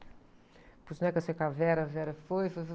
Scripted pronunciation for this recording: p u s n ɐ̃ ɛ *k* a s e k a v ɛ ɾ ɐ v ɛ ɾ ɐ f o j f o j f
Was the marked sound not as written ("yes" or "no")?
no